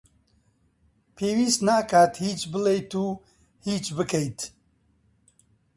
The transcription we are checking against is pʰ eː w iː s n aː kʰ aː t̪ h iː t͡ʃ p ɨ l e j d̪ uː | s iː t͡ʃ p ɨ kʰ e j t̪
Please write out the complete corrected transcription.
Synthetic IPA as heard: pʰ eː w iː s n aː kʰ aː t̪ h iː t͡ʃ b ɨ l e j t̪ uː | h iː t͡ʃ b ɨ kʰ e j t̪